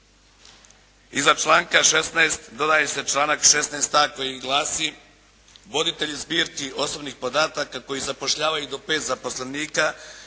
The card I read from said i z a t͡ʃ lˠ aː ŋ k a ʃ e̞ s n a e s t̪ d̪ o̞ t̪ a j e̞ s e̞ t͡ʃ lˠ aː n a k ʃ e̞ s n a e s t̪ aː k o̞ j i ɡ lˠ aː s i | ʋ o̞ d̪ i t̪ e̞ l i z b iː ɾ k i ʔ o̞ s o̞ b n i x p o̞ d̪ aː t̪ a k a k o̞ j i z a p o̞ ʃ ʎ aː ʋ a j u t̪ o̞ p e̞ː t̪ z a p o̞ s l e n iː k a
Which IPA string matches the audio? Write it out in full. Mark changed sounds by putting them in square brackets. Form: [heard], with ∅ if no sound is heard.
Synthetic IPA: i z a t͡ʃ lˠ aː ŋ k a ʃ e̞ s n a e s t̪ d̪ o̞ [d̪] a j e̞ s e̞ t͡ʃ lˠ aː n a k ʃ e̞ s n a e s t̪ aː k o̞ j i ɡ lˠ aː s i | ʋ o̞ d̪ i t̪ e̞ [ʎ] i z b iː ɾ k i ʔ o̞ s o̞ b n i x p o̞ d̪ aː t̪ a k a k o̞ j i z a p o̞ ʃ ʎ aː ʋ a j u [d̪] o̞ p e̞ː t̪ z a p o̞ s l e n iː k a

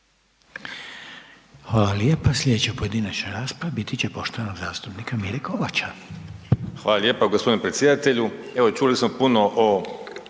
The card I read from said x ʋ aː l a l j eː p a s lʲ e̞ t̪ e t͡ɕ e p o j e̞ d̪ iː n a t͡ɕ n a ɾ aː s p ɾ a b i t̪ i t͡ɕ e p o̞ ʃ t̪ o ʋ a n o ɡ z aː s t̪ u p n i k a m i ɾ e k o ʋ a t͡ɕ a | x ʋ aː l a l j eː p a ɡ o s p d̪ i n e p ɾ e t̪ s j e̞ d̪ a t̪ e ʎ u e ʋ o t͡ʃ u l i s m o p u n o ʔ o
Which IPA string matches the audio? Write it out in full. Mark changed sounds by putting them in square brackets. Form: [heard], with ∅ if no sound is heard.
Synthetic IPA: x ʋ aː l a l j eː p a s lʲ e̞ [d̪] e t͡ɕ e p o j e̞ d̪ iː n a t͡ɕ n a ɾ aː s p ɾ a b i t̪ i t͡ɕ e p o̞ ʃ t̪ o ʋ a n o ɡ z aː s t̪ u p n i k a m i ɾ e k o ʋ a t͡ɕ a | x ʋ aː l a l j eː p a ɡ o s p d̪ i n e p ɾ e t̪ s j e̞ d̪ a t̪ e ʎ u e ʋ o t͡ʃ u l i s m o p u n o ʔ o

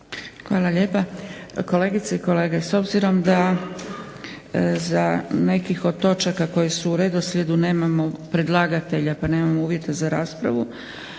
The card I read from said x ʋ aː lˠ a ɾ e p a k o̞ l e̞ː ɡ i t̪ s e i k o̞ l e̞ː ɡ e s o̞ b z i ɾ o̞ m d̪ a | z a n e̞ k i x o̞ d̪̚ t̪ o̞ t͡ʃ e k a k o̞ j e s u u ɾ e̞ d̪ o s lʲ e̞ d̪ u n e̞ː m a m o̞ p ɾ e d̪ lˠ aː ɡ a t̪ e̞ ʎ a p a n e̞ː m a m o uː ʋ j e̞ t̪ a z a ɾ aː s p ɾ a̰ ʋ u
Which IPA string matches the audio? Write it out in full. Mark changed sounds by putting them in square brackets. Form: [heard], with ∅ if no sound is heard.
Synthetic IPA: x ʋ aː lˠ a [ʎ] e p a k o̞ l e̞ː ɡ i t̪ s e i k o̞ l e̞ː ɡ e s o̞ b z i ɾ o̞ m d̪ a | z a n e̞ k i x o̞ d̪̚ t̪ o̞ t͡ʃ [a] k a k o̞ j e s u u ɾ e̞ d̪ o s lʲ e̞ d̪ u n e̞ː m a m o̞ p ɾ e d̪ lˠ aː ɡ a t̪ e̞ ʎ a p a n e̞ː m a m o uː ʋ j e̞ t̪ a z a ɾ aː s p ɾ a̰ ʋ u

